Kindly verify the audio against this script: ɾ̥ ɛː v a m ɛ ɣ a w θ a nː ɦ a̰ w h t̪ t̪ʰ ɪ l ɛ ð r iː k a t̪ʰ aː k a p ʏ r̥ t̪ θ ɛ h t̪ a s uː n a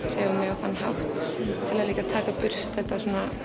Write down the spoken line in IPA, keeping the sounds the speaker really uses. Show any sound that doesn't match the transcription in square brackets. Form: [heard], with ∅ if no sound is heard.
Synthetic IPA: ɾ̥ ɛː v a m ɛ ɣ a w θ a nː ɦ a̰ w h t̪ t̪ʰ ɪ l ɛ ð [l] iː k a t̪ʰ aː k a p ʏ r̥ t̪ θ ɛ h t̪ a s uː n a